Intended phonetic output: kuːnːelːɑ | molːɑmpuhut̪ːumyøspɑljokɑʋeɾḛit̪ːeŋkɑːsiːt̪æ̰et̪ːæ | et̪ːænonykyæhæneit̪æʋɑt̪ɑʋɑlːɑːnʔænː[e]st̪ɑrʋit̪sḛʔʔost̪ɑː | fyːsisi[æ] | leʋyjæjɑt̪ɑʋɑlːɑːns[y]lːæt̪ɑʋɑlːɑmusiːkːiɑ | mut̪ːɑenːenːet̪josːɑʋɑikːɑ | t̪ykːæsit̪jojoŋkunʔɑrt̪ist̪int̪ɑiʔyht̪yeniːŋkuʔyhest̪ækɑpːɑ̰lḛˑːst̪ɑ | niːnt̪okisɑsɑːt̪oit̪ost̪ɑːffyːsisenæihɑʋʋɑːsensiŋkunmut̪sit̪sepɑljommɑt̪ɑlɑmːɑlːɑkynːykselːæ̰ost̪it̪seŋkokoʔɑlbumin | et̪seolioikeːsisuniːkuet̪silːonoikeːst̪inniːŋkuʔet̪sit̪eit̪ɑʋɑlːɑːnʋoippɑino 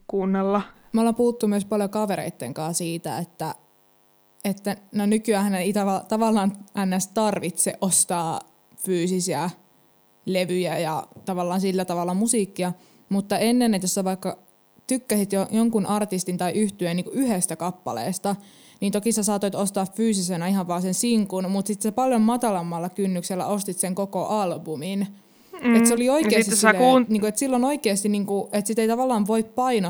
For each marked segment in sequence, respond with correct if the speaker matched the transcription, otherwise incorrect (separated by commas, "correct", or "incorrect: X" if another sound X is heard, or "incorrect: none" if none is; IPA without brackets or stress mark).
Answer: incorrect: æ, correct, incorrect: i